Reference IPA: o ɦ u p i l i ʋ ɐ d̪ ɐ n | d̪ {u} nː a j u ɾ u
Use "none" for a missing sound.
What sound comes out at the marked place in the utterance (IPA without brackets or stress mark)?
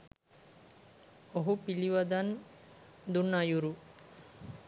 u